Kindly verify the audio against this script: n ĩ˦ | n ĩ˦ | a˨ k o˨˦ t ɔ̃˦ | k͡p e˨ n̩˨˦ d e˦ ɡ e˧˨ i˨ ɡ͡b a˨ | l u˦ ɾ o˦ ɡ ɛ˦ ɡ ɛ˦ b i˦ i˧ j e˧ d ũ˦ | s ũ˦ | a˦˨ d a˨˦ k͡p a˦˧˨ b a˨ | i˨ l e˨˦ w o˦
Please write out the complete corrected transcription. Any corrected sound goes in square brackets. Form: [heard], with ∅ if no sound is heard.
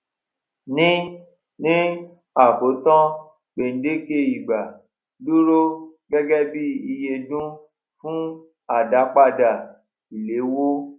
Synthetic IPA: n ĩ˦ | n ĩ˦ | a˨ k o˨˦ t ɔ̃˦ | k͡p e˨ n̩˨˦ d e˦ [k] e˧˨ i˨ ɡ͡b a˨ | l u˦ ɾ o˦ ɡ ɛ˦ ɡ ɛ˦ b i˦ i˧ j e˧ d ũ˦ | [f] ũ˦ | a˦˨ d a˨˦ k͡p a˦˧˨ [d] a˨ | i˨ l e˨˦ w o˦